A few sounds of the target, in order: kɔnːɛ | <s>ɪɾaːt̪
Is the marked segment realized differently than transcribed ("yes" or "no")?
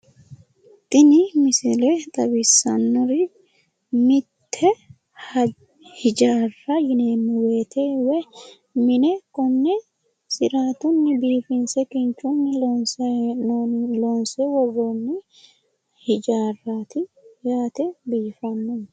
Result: no